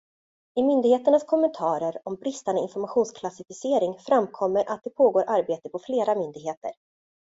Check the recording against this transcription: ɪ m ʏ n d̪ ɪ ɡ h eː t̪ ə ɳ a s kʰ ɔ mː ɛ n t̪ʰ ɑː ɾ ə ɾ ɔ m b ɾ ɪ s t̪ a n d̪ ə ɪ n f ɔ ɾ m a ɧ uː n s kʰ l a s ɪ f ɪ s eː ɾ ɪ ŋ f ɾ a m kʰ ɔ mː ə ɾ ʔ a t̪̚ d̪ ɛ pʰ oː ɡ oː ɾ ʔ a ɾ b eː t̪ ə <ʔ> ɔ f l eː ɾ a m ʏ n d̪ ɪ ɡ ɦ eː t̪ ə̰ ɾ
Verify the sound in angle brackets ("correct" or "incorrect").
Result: incorrect